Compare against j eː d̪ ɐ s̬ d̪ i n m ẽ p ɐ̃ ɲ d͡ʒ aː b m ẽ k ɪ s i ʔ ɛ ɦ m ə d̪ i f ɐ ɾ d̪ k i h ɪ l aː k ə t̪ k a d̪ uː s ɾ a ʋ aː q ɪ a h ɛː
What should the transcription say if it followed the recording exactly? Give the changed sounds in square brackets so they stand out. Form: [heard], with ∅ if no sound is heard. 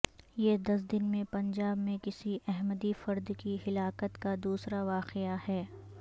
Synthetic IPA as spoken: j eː d̪ ɐ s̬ d̪ [ɪ] n m ẽ p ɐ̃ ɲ d͡ʒ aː b m ẽ k ɪ s i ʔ ɛ ɦ m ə d̪ i f ɐ ɾ d̪ k i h ɪ l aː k ə t̪ k a d̪ uː s ɾ a ʋ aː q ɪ a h ɛː